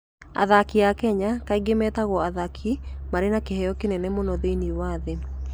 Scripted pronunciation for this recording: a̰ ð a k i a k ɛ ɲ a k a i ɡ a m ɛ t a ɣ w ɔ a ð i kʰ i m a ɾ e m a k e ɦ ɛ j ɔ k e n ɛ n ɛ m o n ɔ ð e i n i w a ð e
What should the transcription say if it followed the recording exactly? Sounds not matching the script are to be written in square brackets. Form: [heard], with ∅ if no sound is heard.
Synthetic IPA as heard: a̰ ð a k i a k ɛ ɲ a k a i ɡ [e] m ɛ t a ɣ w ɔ a ð [a] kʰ i m a ɾ e [n] a k e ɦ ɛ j ɔ k e n ɛ n ɛ m o n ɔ ð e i n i w a ð e